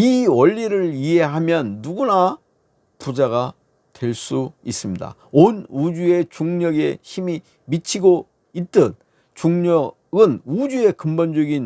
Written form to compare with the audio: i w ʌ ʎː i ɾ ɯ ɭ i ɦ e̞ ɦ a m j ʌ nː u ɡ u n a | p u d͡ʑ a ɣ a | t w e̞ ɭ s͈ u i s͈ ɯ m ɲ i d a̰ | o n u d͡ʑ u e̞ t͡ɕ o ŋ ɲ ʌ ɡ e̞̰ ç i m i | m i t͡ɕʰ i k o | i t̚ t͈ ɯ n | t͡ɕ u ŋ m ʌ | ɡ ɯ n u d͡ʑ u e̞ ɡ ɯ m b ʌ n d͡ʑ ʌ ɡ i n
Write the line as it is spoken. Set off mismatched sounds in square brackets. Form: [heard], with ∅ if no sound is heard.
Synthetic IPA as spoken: i w ʌ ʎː i ɾ ɯ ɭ i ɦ e̞ ɦ a m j ʌ nː u ɡ u n a | p u d͡ʑ a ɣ a | t w e̞ ɭ s͈ u i s͈ ɯ m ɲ i d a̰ | o n u d͡ʑ u e̞ t͡ɕ [u] ŋ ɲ ʌ ɡ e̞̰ ç i m i | m i t͡ɕʰ i [ɡ] o | i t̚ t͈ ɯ n | t͡ɕ u ŋ [ɲ] ʌ | ɡ ɯ n u d͡ʑ u e̞ [k] ɯ m b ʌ n d͡ʑ ʌ ɡ i n